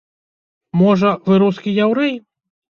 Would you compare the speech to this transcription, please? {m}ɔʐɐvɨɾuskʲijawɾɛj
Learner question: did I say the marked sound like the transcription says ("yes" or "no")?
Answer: yes